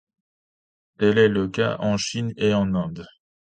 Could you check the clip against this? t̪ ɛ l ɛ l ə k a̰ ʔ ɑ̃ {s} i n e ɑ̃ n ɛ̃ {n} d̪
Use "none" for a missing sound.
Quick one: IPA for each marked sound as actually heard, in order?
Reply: ʃ, none

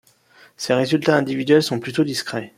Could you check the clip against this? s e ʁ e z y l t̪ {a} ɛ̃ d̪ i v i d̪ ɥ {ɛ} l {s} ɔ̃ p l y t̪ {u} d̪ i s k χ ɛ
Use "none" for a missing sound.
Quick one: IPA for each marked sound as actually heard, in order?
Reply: a, ɛ, s, o

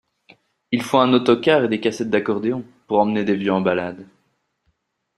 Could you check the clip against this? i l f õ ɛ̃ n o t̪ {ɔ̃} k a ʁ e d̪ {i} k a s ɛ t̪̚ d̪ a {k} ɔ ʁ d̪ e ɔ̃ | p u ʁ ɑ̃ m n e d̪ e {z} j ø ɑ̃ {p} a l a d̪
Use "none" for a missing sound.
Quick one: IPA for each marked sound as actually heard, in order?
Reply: ɔ, e, k, v, b

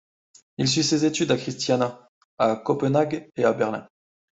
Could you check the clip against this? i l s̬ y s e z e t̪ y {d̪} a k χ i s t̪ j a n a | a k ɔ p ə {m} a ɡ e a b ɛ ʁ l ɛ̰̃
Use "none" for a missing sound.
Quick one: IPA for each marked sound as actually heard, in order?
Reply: d̪, n

